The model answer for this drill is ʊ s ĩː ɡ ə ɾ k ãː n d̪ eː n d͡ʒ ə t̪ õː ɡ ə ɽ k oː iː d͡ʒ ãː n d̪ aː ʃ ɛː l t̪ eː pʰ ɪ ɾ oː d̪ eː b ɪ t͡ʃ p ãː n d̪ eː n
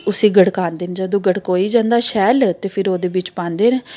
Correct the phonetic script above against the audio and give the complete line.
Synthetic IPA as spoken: ʊ s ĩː ɡ ə ɽ k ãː n d̪ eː n d͡ʒ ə d̪ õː ɡ ə ɽ k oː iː d͡ʒ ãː n d̪ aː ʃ ɛː l t̪ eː pʰ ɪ ɾ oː d̪ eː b ɪ t͡ʃ p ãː n d̪ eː n